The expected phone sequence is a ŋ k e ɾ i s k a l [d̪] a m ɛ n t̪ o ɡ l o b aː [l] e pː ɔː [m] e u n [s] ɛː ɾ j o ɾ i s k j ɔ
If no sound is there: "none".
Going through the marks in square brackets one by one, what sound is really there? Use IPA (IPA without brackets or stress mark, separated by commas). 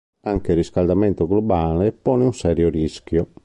d̪, l, n, s